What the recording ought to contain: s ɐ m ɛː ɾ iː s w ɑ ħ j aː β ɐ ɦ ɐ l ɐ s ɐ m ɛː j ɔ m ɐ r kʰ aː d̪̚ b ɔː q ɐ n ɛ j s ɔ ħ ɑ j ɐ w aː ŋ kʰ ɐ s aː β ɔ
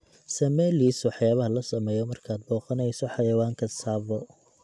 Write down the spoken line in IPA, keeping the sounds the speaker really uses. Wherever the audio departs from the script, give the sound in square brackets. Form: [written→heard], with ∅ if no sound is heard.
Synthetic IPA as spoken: s ɐ m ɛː [ɾ→l] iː s w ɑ ħ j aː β ɐ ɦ ɐ l ɐ s ɐ m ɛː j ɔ m ɐ r kʰ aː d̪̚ b ɔː q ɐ n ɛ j s ɔ ħ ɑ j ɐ w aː ŋ kʰ ɐ s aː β ɔ

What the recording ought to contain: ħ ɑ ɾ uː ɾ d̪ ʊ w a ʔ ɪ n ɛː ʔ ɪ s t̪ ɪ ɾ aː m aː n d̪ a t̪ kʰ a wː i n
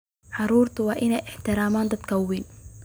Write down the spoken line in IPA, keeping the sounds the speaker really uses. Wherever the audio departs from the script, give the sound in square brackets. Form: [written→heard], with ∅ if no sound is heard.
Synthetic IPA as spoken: ħ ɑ ɾ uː ɾ [d̪→t̪] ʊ w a ʔ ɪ n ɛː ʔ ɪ [s→ħ] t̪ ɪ ɾ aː m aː n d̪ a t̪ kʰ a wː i n

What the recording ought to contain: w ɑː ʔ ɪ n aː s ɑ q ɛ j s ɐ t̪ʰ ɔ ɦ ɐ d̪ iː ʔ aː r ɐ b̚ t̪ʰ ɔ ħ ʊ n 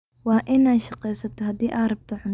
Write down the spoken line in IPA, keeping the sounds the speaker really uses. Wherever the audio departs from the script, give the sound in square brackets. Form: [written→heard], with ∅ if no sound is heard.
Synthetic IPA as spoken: w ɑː ʔ ɪ n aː [s→ʃ] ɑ q ɛ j s ɐ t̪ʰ ɔ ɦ ɐ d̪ iː ʔ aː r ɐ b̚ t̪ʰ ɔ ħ ʊ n

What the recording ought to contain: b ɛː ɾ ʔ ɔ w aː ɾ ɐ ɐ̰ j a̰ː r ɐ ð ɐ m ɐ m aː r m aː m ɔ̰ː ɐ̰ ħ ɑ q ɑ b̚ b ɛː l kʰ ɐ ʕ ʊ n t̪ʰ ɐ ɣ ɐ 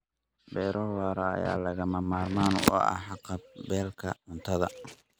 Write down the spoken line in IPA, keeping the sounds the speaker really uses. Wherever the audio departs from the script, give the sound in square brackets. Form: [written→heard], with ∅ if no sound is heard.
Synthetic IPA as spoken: b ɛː ɾ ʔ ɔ w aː ɾ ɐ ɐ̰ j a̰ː [r→l] ɐ [ð→ɣ] ɐ m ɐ m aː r m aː [m→n] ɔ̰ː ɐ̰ ħ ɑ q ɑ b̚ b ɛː l kʰ ɐ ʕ ʊ n t̪ʰ ɐ [ɣ→ð] ɐ

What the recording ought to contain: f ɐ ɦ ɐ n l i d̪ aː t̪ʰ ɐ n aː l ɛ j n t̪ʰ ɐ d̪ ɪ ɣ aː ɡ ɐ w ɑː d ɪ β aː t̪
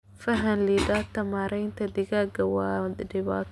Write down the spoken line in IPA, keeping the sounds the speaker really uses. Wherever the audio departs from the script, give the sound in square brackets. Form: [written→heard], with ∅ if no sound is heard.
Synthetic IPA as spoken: f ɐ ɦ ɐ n l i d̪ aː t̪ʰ ɐ [n→m] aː [l→ɾ] ɛ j n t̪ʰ ɐ d̪ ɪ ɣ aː ɡ ɐ w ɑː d ɪ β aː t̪

